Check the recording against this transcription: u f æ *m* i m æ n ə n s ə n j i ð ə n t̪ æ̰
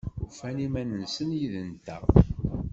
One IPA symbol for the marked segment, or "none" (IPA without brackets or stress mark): n